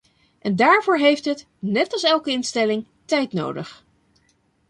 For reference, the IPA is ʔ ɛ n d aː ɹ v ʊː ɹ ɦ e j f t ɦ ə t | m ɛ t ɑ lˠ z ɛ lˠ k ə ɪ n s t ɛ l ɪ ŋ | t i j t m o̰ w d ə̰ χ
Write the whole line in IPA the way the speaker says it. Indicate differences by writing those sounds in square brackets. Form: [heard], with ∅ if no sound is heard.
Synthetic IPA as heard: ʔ ɛ n d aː ɹ v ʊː ɹ ɦ e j f t ɦ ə t | [n] ɛ t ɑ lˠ [s] ɛ lˠ k ə ɪ n s t ɛ l ɪ ŋ | t [ɛ] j t [n] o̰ w d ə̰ χ